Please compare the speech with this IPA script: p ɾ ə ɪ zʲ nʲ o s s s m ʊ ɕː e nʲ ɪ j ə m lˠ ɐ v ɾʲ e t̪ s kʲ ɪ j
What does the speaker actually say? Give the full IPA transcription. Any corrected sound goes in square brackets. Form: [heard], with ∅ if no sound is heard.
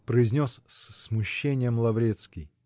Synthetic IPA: p ɾ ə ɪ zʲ nʲ o s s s m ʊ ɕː e nʲ ɪ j ə m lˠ ɐ v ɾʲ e t̪ s kʲ ɪ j